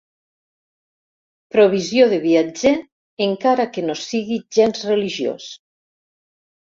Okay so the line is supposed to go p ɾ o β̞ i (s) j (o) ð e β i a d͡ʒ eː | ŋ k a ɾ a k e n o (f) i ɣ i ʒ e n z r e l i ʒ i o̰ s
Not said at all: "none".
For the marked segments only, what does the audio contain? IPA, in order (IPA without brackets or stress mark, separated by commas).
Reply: z, o, s